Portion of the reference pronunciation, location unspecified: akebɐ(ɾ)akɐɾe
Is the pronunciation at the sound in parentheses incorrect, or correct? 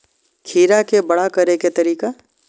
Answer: incorrect